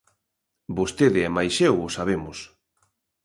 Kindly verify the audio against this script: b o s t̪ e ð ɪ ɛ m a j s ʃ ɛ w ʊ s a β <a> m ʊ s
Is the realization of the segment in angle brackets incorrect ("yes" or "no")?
yes